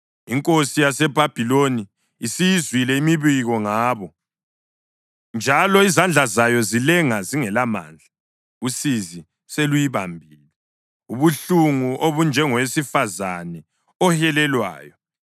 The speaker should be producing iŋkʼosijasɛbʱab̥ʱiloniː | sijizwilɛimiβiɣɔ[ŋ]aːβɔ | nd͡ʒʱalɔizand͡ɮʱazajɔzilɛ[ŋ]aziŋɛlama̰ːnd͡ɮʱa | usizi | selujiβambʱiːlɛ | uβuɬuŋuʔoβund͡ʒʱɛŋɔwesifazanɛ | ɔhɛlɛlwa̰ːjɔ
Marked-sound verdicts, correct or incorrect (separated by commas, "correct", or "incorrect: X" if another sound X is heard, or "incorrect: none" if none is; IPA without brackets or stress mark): correct, correct